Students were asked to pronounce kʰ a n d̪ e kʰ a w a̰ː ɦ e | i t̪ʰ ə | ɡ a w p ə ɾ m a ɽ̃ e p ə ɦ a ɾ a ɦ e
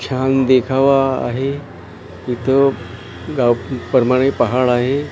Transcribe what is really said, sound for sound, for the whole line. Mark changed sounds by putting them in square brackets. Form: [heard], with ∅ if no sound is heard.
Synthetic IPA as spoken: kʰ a n d̪ e kʰ a [ʋ] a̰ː ɦ e | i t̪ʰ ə | ɡ a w p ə ɾ m a ɽ̃ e p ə ɦ a [ɭ] a ɦ e